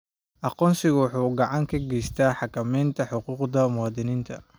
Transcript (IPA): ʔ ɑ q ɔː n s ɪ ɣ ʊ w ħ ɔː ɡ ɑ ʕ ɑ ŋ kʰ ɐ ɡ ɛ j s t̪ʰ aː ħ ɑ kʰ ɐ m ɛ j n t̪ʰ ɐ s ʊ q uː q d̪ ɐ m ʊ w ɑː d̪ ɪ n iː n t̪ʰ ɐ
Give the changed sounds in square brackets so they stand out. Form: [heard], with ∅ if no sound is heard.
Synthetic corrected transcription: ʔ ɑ q ɔː n s ɪ ɣ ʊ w ħ [uː] ɡ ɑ ʕ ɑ ŋ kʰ ɐ ɡ ɛ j s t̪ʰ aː ħ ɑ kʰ ɐ m ɛ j n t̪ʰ ɐ [ħ] ʊ q uː q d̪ ɐ m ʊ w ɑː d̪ ɪ n iː n t̪ʰ ɐ